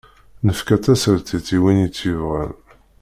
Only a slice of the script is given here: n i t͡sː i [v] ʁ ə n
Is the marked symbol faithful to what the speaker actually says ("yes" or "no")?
yes